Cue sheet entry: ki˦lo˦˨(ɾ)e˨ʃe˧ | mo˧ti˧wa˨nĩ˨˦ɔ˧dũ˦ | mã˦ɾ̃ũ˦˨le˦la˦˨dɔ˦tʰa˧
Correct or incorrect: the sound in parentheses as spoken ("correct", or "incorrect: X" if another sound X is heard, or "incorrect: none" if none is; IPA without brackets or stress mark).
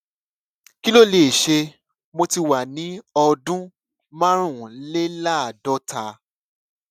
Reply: incorrect: l